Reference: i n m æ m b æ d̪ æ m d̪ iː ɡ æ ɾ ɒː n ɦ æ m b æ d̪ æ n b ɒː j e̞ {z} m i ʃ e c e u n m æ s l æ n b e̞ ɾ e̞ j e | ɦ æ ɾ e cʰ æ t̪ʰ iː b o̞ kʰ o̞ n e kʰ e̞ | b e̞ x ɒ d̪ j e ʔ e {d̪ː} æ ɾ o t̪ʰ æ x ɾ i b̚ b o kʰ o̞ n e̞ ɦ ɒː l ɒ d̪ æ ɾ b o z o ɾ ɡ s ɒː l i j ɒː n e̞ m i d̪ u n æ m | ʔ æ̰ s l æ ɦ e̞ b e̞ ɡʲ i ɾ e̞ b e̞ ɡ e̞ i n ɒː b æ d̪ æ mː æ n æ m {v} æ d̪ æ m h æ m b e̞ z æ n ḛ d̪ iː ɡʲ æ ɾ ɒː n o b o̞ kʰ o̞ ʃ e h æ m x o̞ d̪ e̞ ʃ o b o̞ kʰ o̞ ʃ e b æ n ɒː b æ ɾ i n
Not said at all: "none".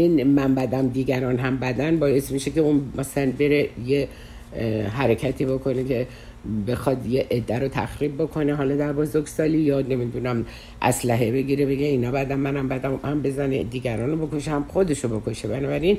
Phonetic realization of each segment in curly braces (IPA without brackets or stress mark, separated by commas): s, d̪ː, b